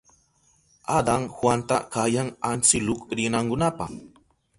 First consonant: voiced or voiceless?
voiced